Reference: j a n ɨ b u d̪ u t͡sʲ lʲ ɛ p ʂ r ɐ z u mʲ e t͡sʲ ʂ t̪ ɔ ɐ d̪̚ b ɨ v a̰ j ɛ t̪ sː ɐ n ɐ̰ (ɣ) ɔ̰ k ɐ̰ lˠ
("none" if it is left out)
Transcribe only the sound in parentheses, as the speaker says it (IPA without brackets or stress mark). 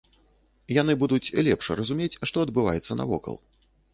v